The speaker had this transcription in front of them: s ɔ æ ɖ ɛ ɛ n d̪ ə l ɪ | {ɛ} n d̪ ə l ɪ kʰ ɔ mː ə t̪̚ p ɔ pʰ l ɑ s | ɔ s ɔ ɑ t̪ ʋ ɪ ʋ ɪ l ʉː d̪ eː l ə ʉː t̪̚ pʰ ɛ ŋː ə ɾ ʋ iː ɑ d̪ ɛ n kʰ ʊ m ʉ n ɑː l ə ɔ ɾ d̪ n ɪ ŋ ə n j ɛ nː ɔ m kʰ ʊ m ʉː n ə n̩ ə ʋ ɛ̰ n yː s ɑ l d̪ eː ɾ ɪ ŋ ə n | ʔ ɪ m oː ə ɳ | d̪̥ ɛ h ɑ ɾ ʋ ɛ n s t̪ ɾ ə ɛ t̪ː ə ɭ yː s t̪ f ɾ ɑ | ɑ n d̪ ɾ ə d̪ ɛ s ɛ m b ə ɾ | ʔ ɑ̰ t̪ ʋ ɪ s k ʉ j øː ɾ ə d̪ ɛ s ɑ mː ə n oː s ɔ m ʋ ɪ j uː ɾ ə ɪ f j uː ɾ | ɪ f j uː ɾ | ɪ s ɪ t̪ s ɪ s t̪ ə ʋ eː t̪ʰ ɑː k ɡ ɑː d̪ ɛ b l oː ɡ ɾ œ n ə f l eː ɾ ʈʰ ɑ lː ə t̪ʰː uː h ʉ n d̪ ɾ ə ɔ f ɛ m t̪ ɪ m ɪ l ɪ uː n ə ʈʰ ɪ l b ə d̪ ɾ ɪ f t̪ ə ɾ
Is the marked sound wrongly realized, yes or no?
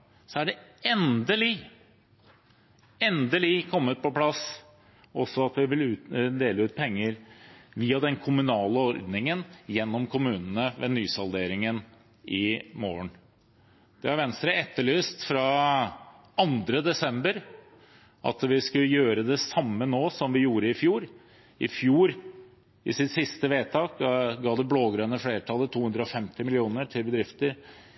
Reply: no